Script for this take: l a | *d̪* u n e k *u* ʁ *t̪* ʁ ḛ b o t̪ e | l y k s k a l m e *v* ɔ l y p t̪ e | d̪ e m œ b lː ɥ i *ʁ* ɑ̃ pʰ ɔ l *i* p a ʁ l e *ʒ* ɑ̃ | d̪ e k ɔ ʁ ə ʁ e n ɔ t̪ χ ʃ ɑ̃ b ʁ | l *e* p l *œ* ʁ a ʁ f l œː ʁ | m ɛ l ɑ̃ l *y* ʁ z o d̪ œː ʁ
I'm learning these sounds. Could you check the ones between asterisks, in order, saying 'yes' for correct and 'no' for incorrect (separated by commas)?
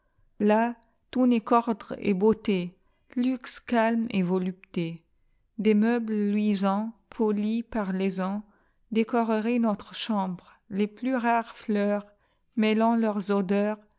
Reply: no, no, no, yes, no, yes, no, yes, no, no